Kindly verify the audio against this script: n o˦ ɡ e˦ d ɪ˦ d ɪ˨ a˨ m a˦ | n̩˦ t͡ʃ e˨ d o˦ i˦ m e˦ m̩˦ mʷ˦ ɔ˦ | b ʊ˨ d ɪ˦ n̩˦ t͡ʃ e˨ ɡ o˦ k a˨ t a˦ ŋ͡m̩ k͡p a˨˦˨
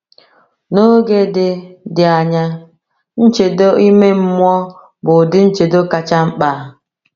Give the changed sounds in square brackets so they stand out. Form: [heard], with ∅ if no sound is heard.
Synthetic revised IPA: n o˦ ɡ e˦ d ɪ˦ d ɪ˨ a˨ [ɲ] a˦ | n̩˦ t͡ʃ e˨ d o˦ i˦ m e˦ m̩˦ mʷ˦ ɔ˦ | b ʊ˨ d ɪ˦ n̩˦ t͡ʃ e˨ [d] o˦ k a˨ [t͡ʃ] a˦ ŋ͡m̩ k͡p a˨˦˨